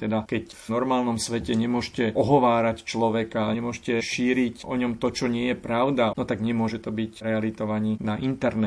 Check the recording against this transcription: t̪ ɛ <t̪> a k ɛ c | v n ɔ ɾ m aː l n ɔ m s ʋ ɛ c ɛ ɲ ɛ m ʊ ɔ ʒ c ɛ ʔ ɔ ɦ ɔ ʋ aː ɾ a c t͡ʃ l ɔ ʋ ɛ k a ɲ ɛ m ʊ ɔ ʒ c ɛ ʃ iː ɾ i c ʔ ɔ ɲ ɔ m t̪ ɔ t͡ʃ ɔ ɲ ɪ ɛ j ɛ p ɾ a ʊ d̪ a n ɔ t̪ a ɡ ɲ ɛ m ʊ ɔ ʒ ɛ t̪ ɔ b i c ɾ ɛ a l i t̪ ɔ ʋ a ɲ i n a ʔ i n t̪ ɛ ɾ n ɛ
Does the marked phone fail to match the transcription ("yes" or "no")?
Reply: yes